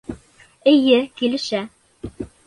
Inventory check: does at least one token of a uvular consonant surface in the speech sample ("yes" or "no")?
no